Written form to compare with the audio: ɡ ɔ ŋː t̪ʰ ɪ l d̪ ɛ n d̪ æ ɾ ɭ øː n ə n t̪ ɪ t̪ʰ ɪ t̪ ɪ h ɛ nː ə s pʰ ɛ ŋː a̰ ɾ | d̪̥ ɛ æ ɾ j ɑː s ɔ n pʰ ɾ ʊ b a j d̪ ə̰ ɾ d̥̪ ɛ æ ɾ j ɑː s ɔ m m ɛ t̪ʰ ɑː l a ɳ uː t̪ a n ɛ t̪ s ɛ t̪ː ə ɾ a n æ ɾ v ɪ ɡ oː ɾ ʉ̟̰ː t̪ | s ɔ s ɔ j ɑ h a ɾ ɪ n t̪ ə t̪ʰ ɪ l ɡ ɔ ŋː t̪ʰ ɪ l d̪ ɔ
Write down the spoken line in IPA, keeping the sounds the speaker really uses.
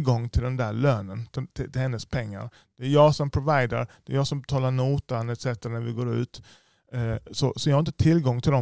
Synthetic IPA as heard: ɡ ɔ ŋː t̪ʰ ɪ l d̪ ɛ n d̪ æ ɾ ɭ øː n ə n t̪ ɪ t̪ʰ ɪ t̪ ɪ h ɛ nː ə s pʰ ɛ ŋː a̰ ɾ | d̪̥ ɛ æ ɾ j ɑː s ɔ m pʰ ɾ ʊ v a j d̪ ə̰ ɾ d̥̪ ɛ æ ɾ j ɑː s ɔ m b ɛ t̪ʰ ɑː l a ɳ uː t̪ a n ɛ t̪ s ɛ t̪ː ə ɾ a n æ ɾ v ɪ ɡ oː ɾ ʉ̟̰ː t̪ | s ɔ s ɔ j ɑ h a ɾ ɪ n t̪ ə t̪ʰ ɪ l ɡ ɔ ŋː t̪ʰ ɪ l d̪ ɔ